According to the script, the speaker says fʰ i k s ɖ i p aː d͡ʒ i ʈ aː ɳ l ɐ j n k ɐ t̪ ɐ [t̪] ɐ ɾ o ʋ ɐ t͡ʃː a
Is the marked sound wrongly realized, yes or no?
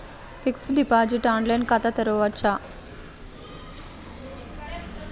no